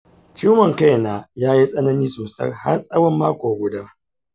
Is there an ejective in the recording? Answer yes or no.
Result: yes